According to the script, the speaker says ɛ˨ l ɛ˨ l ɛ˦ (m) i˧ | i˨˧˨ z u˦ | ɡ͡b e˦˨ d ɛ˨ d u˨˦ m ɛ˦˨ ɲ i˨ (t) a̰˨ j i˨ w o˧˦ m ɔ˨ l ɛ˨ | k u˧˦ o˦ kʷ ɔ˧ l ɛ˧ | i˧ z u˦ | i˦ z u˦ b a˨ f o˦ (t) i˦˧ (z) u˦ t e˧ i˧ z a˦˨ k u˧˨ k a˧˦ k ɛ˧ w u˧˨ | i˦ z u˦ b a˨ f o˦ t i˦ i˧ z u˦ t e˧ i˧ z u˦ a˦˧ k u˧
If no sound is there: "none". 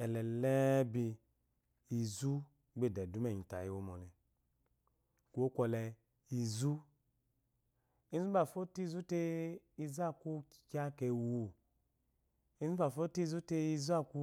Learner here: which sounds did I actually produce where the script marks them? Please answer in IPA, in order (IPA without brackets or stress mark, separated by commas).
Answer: b, t, t, z